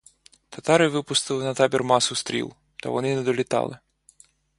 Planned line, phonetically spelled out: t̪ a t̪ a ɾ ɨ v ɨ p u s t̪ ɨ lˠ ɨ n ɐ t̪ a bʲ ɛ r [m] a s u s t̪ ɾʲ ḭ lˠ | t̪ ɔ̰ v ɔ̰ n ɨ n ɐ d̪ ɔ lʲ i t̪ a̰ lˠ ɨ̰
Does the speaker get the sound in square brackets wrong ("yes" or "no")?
no